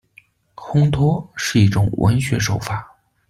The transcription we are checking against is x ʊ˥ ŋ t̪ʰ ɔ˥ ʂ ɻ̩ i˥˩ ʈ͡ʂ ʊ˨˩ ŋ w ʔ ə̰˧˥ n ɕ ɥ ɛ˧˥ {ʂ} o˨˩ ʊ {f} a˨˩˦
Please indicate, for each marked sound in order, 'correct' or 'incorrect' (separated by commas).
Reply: correct, correct